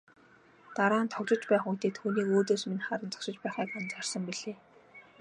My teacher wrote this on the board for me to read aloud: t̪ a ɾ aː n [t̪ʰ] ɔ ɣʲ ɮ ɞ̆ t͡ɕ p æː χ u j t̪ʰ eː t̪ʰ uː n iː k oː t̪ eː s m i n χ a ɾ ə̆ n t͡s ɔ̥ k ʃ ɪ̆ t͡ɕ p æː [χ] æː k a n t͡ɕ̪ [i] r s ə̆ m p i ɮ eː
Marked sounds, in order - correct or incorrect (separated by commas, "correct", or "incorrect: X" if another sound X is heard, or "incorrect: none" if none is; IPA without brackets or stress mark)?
correct, correct, incorrect: a